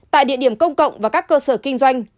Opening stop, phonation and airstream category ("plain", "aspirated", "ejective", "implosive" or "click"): plain